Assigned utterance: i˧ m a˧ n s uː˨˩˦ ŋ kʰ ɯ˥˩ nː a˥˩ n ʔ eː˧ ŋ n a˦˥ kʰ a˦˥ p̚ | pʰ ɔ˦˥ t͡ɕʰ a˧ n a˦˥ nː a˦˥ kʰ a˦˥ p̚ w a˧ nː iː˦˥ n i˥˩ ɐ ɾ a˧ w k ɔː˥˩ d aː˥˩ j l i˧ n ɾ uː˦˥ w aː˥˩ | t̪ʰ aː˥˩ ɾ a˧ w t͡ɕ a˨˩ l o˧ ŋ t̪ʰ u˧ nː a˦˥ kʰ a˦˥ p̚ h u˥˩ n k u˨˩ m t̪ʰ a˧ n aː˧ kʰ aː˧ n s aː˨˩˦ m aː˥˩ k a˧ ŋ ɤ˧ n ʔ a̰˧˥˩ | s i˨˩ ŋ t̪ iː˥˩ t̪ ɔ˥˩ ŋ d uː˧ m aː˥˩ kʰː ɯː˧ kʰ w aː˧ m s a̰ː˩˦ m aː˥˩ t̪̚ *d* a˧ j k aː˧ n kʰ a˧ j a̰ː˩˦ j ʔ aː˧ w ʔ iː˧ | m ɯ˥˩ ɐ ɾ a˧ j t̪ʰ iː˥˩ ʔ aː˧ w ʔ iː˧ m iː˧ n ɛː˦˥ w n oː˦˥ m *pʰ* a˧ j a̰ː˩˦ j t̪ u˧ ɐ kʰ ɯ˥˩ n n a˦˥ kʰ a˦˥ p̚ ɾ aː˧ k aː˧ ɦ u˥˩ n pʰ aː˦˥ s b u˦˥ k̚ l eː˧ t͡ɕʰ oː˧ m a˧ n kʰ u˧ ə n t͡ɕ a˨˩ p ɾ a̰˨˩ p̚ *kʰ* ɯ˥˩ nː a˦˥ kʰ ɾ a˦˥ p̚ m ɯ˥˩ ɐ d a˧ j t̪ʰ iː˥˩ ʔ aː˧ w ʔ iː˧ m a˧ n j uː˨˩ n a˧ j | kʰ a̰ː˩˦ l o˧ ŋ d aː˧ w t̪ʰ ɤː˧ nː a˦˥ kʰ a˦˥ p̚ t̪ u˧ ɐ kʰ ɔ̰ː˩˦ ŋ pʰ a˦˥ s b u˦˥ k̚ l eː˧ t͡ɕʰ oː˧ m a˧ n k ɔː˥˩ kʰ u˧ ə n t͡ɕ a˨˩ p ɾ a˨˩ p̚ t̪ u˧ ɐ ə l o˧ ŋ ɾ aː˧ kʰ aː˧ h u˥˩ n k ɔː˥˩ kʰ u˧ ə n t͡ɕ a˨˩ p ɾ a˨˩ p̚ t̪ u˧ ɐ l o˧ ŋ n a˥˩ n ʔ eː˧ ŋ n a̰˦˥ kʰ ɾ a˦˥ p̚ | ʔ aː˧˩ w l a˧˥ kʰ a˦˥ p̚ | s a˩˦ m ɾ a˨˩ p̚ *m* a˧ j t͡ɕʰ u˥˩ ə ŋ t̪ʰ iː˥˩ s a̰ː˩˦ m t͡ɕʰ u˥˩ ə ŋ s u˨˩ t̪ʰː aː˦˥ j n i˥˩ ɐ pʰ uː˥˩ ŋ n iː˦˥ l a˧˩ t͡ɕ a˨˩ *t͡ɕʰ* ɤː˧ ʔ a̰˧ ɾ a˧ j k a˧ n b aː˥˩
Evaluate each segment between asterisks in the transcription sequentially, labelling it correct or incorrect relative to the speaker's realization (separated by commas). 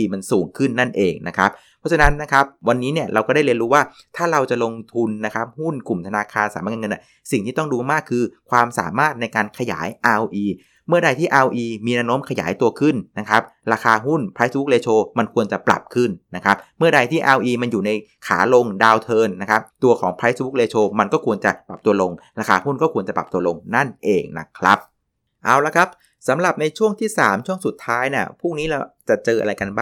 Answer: incorrect, incorrect, correct, incorrect, incorrect